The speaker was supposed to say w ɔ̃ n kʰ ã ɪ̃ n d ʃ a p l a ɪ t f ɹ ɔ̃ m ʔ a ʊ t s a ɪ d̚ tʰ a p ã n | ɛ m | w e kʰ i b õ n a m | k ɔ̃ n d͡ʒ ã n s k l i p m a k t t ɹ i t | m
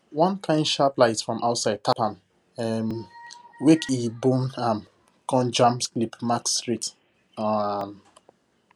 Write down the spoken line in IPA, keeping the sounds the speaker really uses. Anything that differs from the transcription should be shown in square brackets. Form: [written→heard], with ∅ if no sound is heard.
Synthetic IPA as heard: w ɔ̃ n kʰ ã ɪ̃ n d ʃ a p l a ɪ t f ɹ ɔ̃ m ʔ a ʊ t s a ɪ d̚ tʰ a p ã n | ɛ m | w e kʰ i b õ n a m | k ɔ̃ n d͡ʒ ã [n→m] s k l i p m a k [t→s] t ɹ i t | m